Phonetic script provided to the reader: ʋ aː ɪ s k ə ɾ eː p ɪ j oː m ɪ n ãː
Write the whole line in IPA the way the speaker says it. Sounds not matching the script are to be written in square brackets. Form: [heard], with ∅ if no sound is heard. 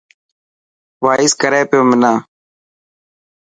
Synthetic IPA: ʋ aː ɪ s k ə ɾ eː p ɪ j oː m ɪ n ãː